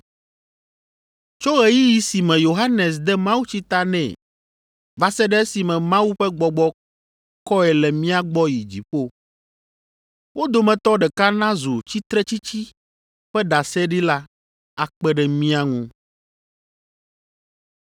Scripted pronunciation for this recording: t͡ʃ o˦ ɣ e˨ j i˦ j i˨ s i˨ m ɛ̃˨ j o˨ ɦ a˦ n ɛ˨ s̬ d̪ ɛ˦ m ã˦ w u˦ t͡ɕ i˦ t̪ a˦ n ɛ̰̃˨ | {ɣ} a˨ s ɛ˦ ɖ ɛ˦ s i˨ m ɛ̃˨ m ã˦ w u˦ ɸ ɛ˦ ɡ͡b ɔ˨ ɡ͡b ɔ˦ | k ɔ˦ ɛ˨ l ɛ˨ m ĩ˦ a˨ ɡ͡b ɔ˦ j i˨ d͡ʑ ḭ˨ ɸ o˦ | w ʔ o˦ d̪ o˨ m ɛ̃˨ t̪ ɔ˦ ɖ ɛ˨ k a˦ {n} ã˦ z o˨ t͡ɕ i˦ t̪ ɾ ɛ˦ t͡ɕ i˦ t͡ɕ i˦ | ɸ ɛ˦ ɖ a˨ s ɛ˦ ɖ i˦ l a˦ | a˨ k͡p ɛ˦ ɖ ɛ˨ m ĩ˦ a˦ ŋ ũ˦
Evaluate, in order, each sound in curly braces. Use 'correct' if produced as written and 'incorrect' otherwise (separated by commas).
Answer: incorrect, correct